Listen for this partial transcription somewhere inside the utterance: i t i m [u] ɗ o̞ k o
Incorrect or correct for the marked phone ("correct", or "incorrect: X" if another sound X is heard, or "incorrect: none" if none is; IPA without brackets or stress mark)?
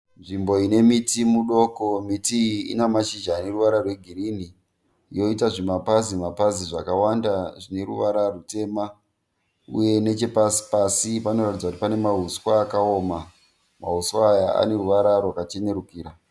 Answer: correct